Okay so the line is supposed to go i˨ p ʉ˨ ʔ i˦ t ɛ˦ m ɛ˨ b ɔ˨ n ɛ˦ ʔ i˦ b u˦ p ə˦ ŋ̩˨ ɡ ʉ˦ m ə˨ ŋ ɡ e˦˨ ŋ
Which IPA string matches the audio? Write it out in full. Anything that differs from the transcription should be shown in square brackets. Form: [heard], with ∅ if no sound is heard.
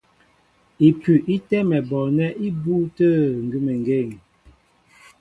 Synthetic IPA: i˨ p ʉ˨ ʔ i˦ t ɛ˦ m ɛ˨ b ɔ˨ n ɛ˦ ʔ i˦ b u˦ [t] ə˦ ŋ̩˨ ɡ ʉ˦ m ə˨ ŋ ɡ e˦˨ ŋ